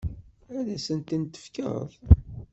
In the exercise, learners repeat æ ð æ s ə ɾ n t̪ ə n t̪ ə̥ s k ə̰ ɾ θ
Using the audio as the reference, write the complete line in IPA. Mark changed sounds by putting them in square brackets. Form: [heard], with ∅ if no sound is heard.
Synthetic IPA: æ ð æ s ə [∅] n t̪ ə n t̪ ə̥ [f] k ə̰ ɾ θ